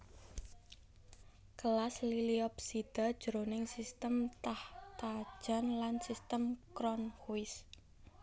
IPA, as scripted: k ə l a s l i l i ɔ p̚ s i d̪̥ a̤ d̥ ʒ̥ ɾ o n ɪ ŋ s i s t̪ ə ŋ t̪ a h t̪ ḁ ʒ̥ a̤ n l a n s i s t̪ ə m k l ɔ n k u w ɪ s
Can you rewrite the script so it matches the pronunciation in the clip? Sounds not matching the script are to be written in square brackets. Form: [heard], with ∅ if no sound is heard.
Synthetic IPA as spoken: k ə l a s l i l i ɔ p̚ s i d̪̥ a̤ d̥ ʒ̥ ɾ o n ɪ ŋ s i s t̪ ə [m] t̪ a h t̪ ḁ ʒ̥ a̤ n l a n s i s t̪ ə m k [ɾ] ɔ n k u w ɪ s